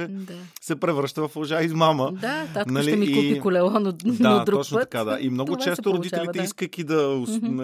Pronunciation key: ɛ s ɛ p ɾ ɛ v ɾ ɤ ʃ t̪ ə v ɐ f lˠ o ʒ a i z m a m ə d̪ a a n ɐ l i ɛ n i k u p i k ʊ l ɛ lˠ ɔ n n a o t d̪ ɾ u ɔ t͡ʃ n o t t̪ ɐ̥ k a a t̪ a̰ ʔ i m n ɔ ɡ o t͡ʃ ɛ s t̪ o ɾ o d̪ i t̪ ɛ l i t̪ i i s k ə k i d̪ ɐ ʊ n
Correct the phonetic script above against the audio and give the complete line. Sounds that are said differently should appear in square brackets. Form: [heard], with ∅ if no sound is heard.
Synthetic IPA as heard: ɛ s ɛ p ɾ ɛ v ɾ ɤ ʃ t̪ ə v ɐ f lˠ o ʒ a i z m a m ə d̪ a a n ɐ l i ɛ [m] i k u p i k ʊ l ɛ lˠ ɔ n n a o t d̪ ɾ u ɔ t͡ʃ n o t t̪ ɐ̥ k a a [d̪] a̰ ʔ i m n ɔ ɡ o t͡ʃ ɛ s t̪ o ɾ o d̪ i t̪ ɛ l i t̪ [ɛ] i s k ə k i d̪ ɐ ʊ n